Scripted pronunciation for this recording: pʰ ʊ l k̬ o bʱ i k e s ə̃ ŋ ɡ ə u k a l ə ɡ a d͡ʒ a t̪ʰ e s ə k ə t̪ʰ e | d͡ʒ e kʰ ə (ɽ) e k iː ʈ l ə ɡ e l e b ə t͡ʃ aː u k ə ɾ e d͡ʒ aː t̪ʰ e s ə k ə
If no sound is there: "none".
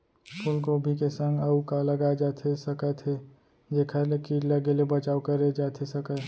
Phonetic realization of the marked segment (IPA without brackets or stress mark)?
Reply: l